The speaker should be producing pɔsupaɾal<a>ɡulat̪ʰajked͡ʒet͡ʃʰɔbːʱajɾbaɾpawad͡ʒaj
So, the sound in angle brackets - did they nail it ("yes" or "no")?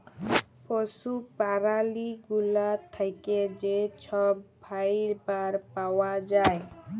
no